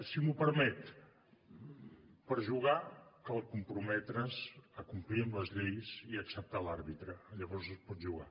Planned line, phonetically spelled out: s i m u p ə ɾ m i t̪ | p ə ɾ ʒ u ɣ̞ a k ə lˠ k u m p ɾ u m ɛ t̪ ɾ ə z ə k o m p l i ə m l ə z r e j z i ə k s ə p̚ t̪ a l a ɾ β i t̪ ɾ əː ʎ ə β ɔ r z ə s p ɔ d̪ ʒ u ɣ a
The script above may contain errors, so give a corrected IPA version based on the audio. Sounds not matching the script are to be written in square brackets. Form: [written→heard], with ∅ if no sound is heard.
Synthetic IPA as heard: s i m u p ə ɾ m [i→ɛ] t̪ | p ə ɾ ʒ u ɣ̞ a k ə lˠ k u m p ɾ u m ɛ t̪ ɾ ə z ə k [o→u] m p l i ə m l ə z [r→ʎ] e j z i ə k s ə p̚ t̪ a l a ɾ β i t̪ ɾ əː ʎ ə β ɔ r z ə s p ɔ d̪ ʒ u ɣ a

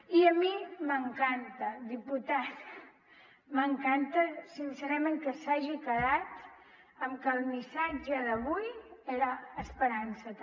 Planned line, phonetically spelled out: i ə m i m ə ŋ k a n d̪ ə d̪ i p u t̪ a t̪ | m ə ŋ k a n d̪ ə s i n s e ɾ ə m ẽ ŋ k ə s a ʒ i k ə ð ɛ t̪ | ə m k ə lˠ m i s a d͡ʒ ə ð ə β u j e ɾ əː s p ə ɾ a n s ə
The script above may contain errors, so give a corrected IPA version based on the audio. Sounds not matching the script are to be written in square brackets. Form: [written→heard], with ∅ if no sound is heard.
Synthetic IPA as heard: i ə m i m ə ŋ k a n [d̪→t̪] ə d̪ i p u t̪ a t̪ | m ə ŋ k a n [d̪→t̪] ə s i n s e ɾ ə m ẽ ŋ k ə s a ʒ i k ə ð [ɛ→a] t̪ | ə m k ə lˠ m i s a d͡ʒ ə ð ə β u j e ɾ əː s p ə ɾ a n s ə

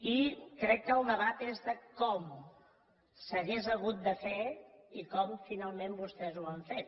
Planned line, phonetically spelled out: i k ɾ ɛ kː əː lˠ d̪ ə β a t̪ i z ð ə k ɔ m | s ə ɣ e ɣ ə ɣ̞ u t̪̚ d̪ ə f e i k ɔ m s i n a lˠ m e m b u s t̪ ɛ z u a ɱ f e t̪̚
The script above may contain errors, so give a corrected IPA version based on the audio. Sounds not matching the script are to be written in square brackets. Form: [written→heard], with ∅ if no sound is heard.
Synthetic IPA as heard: i k ɾ ɛ kː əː lˠ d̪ ə β a t̪ [i→e] z ð ə k ɔ m | s ə ɣ e [ɣ→z] ə ɣ̞ u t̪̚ d̪ ə f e i k ɔ m [s→f] i n a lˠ m e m b u s t̪ ɛ z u a ɱ f e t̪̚

